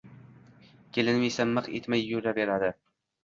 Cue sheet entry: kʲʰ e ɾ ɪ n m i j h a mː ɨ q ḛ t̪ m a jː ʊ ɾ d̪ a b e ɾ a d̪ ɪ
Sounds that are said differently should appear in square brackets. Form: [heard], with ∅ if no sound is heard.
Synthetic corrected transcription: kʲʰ e [l] ɪ n m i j [s] a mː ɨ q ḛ t̪ m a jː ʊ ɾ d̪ a b e ɾ a d̪ ɪ